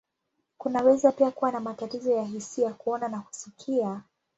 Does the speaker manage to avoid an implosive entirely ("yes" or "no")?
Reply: yes